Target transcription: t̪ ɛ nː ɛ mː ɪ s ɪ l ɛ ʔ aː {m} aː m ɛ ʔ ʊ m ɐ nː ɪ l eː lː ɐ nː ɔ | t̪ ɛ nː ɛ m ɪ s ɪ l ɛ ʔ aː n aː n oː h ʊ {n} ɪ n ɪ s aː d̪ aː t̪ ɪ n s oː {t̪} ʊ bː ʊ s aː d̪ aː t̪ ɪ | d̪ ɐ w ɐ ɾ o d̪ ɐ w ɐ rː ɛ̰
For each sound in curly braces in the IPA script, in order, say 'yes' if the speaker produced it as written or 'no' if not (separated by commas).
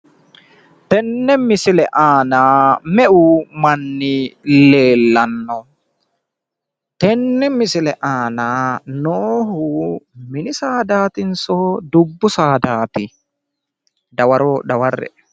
no, no, no